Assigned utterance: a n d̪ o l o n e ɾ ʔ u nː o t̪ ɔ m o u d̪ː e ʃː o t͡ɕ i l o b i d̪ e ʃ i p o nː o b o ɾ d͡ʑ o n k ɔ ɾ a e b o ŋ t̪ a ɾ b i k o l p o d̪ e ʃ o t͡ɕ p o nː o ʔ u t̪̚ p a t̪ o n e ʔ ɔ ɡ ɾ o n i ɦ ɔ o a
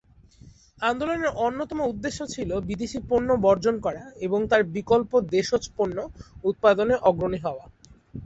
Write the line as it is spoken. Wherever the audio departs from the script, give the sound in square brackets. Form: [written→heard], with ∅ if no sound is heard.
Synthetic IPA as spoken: a n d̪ o l o n e ɾ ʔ [u→o] nː o t̪ ɔ m o u d̪ː e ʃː o [t͡ɕ→t͡ɕʰ] i l o b i d̪ e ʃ i p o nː o b [o→ɔ] ɾ d͡ʑ o n k ɔ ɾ a e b o ŋ t̪ a ɾ b i k o l p o d̪ e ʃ o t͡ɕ p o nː o [ʔ→∅] u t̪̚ p a [t̪→d̪] o n e ʔ ɔ ɡ ɾ o n i ɦ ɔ o a